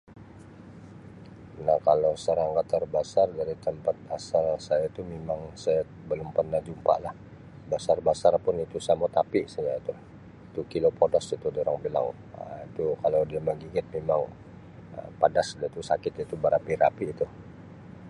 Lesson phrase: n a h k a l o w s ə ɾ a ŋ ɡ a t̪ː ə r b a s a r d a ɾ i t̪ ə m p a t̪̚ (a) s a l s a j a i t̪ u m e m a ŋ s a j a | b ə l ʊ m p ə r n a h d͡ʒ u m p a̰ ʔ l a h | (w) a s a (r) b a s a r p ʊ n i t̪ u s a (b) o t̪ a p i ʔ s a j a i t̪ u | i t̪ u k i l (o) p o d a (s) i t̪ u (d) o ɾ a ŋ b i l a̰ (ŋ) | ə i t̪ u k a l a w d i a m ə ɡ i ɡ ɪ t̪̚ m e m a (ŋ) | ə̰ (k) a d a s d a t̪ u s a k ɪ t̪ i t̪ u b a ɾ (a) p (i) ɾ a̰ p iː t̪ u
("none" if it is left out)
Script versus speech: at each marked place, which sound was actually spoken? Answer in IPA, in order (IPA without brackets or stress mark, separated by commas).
a, b, r, m, o, s, d, ŋ, ŋ, p, a, i